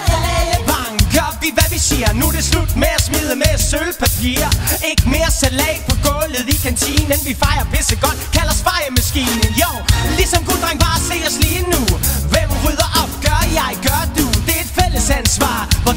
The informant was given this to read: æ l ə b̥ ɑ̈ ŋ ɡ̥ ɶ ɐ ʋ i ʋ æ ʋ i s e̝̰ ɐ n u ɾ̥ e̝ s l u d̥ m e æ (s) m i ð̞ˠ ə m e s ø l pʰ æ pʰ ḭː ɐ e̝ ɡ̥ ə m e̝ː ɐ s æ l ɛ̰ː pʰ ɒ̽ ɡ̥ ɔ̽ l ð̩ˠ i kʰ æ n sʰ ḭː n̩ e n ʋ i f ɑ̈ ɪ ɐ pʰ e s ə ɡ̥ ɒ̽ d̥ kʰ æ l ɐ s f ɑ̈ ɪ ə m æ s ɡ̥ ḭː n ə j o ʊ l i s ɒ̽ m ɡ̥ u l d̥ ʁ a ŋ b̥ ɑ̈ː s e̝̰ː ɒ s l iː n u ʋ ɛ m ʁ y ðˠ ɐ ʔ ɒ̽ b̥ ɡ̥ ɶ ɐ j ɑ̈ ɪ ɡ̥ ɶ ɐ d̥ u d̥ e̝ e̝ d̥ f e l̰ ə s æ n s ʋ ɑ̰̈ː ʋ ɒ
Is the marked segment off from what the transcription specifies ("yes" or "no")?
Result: no